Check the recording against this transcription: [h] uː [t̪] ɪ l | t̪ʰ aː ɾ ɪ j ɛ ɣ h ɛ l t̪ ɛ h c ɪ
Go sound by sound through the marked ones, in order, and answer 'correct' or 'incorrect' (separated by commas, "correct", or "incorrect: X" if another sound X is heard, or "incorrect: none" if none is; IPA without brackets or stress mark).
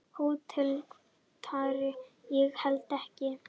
correct, incorrect: t̪ʰ